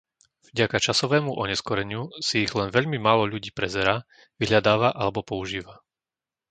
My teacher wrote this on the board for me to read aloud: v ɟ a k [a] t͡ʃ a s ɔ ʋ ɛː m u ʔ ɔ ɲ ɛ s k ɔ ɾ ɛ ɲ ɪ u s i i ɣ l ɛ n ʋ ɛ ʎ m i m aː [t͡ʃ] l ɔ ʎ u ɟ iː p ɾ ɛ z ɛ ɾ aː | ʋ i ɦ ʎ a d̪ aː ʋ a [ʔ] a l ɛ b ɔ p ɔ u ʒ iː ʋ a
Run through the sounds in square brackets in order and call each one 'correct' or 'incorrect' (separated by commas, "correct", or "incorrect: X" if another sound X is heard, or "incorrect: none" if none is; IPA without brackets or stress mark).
correct, incorrect: none, correct